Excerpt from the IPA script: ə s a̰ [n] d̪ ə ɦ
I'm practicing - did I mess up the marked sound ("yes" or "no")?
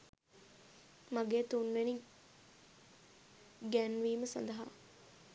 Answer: no